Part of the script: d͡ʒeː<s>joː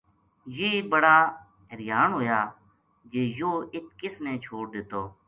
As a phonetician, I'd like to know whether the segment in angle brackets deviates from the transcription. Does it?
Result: yes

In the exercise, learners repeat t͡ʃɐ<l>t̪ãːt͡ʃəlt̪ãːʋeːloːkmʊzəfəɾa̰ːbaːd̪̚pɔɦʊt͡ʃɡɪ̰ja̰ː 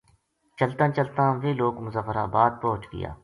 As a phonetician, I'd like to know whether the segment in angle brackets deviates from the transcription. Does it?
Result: no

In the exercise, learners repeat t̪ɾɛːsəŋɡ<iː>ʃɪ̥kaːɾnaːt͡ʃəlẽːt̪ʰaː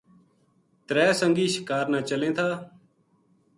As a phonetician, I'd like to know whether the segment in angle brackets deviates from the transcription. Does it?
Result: no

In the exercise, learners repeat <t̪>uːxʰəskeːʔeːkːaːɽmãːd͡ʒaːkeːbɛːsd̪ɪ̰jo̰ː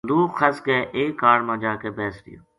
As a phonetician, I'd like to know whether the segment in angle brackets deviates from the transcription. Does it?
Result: yes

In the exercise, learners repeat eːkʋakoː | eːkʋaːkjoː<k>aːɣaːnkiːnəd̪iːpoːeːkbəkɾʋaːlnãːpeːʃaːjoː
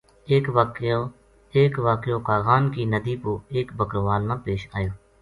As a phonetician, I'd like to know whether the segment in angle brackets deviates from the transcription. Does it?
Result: no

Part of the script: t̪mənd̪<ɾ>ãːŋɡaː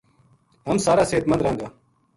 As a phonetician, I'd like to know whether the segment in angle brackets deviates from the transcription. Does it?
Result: no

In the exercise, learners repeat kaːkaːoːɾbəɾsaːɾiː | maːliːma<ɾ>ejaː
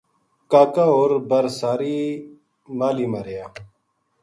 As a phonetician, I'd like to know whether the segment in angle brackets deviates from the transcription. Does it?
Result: no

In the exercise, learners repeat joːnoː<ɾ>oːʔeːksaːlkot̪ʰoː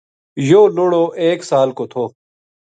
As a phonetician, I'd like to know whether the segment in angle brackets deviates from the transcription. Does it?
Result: yes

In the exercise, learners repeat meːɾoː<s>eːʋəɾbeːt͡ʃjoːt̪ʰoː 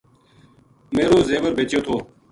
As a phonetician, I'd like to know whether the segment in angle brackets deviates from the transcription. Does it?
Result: yes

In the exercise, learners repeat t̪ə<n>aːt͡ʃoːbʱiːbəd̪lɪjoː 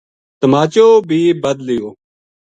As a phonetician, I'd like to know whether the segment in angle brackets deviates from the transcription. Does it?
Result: yes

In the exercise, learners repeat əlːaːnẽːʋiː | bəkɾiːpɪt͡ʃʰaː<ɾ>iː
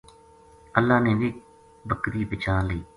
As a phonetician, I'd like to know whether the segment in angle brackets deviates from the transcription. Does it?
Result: yes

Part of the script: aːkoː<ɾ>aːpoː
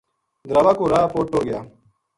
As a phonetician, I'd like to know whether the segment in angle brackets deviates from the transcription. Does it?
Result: no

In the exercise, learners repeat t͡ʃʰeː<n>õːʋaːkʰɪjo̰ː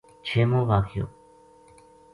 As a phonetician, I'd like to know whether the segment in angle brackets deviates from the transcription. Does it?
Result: yes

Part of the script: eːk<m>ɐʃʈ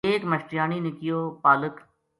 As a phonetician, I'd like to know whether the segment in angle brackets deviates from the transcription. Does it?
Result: no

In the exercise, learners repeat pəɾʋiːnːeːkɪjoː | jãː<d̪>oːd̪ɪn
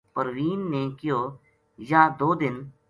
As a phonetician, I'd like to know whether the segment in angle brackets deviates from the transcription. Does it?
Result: no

